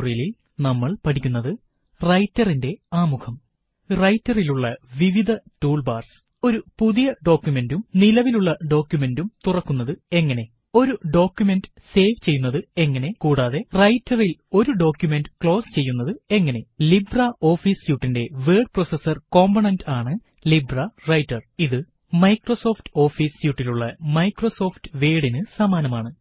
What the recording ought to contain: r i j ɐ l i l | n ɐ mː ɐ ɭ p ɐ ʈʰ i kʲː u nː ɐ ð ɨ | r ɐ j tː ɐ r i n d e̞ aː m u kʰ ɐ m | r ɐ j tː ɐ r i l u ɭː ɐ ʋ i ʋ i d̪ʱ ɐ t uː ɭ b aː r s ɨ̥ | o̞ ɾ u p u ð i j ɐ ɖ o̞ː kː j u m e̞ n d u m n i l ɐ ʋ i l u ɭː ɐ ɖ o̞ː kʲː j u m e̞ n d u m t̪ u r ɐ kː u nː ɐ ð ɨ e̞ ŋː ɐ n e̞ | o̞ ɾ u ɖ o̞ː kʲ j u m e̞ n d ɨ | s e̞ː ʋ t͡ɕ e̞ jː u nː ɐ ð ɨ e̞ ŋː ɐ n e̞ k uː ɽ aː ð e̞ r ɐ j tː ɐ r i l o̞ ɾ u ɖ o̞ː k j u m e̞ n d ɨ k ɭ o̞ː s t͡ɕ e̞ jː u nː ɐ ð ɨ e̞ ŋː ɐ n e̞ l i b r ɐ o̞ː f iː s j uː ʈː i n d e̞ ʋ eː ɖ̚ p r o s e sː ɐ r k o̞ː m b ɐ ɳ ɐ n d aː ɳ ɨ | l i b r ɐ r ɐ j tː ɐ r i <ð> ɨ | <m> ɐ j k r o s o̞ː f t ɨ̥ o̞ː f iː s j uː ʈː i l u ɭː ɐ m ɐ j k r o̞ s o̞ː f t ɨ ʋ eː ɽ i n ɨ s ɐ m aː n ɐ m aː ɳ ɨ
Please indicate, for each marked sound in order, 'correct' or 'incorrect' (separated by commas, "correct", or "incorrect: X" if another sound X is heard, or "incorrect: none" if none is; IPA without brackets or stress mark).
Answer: correct, correct